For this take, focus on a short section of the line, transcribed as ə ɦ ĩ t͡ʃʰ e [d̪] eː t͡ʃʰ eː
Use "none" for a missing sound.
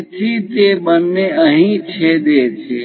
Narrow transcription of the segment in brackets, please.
d̪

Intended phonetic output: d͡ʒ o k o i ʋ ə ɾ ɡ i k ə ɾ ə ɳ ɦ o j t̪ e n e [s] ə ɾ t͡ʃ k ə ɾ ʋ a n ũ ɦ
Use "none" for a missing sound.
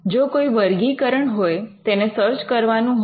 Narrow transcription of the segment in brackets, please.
s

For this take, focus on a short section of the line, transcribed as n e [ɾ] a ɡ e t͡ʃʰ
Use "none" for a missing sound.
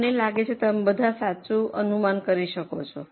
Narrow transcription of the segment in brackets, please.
l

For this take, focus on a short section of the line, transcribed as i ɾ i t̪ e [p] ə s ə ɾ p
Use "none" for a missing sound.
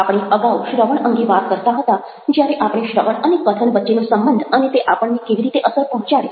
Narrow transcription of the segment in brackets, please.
ʔ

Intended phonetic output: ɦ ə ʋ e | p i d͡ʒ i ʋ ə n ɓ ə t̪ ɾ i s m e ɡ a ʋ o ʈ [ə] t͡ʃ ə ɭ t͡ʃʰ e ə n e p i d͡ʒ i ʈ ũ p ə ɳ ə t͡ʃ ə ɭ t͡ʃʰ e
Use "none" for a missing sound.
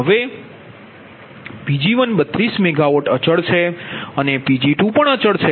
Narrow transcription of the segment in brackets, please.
ə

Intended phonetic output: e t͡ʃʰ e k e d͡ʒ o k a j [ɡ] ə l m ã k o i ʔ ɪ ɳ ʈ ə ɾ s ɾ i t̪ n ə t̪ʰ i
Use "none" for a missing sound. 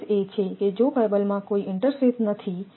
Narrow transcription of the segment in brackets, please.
b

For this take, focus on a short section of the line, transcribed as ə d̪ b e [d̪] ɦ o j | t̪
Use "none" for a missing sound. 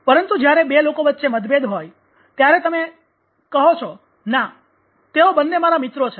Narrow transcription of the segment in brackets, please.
d̪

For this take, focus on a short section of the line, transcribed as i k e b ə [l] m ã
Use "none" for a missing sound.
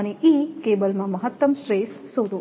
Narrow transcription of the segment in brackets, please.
l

